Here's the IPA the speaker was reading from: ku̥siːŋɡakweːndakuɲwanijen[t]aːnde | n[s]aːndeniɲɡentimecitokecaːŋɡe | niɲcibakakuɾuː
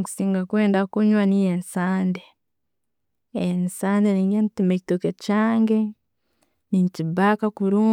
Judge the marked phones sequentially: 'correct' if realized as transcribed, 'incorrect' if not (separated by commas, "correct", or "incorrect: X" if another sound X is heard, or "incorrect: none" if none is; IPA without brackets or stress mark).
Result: incorrect: s, correct